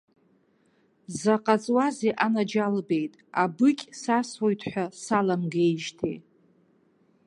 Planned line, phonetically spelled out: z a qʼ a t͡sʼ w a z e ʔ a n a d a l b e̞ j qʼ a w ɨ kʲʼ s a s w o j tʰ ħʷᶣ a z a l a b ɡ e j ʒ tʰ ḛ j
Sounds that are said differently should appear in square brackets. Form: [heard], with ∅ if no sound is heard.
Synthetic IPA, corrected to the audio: z a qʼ a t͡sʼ w a z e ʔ a n a [d͡ʒ] a l b e̞ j [tʼ] a [b] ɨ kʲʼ s a s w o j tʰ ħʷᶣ a [s] a l a [m] ɡ e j ʒ tʰ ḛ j

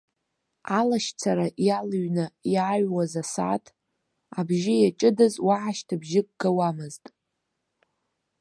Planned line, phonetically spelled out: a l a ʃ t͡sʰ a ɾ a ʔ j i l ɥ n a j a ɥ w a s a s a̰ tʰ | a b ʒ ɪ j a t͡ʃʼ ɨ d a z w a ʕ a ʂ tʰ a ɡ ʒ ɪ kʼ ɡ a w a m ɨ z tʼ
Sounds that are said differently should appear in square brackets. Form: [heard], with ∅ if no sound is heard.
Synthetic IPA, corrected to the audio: a l a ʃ t͡sʰ a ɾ a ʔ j [a] l ɥ n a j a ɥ w a [z] a s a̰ tʰ | a b ʒ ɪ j a t͡ʃʼ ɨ d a z w a ʕ a [ʃ] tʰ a [b] ʒ ɪ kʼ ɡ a w a m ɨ z tʼ

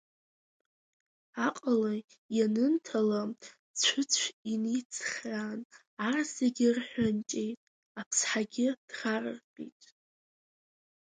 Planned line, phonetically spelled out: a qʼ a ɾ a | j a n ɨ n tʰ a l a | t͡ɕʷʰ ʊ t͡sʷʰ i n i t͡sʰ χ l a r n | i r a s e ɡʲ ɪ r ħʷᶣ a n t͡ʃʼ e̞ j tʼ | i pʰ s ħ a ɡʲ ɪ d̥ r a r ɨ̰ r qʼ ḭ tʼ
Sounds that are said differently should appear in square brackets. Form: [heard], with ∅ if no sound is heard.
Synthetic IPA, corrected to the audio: a qʼ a [l] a | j a n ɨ n tʰ a l a | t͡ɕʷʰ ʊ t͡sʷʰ i n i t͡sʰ χ [r] a [∅] n | [a] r a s e ɡʲ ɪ r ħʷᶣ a n t͡ʃʼ e̞ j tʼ | [a] pʰ s ħ a ɡʲ ɪ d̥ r a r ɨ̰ r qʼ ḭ tʼ

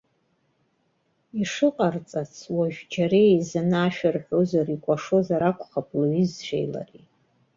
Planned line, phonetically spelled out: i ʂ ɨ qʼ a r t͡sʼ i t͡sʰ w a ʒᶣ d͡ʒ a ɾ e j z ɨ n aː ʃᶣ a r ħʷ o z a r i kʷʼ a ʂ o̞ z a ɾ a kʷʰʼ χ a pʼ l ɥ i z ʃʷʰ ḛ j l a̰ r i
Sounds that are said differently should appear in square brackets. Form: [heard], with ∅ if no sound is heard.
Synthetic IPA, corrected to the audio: i ʂ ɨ qʼ a r t͡sʼ [a] t͡sʰ w a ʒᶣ d͡ʒ a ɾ e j z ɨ n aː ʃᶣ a r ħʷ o z a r i kʷʼ a ʂ o̞ z a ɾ a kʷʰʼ χ a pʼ l ɥ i z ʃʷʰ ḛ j l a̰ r i

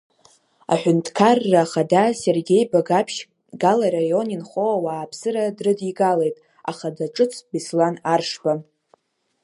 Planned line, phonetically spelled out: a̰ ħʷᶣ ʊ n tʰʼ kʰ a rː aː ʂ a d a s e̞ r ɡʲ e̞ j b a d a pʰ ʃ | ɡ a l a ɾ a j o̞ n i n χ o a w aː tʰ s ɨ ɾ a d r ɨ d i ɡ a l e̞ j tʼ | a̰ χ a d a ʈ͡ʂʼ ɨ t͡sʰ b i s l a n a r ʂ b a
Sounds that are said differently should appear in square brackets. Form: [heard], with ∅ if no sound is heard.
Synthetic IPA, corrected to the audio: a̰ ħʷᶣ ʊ n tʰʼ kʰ a rː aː [χ] a d a s e̞ r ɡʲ e̞ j b a [ɡ] a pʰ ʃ | ɡ a l a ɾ a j o̞ n i n χ o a w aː [pʰ] s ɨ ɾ a d r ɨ d i ɡ a l e̞ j tʼ | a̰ χ a d a ʈ͡ʂʼ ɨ t͡sʰ b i s l a n a r ʂ b a

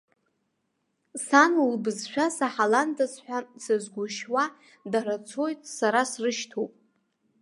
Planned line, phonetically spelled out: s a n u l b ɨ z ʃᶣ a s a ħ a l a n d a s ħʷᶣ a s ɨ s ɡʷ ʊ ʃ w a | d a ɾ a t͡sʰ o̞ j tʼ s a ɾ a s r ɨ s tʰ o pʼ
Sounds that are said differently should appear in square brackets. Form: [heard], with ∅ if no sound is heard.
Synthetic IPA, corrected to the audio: s a n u l b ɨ z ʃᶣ a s a ħ a l a n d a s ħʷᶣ a s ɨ [z] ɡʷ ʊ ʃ w a | d a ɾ a t͡sʰ o̞ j tʼ s a ɾ a s r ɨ [ʃ] tʰ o pʼ

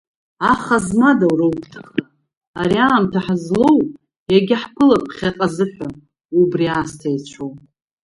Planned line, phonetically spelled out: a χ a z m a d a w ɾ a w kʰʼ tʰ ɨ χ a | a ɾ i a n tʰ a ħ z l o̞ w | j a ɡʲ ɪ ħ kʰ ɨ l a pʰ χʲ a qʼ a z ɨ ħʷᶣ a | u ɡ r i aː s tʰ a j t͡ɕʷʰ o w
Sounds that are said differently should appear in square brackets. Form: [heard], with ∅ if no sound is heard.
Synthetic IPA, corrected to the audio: a χ a z m a d a w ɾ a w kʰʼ tʰ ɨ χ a | a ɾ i a [m] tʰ a ħ z l o̞ w | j a ɡʲ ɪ ħ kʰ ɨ l a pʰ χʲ a qʼ a z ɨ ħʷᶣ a | u [b] r i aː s tʰ a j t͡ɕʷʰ o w

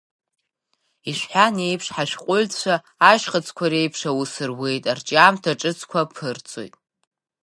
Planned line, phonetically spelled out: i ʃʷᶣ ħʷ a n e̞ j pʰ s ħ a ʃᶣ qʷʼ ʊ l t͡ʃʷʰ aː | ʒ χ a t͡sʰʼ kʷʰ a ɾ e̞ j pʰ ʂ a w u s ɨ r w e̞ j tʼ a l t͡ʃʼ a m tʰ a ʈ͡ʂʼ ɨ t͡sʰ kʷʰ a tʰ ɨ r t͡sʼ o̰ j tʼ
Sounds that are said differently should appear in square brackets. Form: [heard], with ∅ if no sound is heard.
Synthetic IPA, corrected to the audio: i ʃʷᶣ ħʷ a n e̞ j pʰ [ʂ] ħ a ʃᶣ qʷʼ ʊ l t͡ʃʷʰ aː | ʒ χ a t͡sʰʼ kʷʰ a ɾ e̞ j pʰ ʂ a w u s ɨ r w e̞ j tʼ a [r] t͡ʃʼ a m tʰ a ʈ͡ʂʼ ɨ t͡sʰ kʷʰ a [pʰ] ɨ r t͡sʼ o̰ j tʼ

